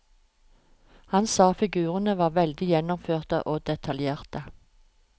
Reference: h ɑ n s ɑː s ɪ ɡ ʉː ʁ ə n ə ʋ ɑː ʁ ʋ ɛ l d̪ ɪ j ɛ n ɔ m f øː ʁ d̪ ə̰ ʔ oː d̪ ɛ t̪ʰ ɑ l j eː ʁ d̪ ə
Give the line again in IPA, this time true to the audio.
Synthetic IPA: h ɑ n s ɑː f ɪ ɡ ʉː ʁ ə n ə ʋ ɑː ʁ ʋ ɛ l d̪ ɪ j ɛ n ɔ m f øː ʁ t̪ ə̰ ʔ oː d̪ ɛ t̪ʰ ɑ l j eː ʁ t̪ ə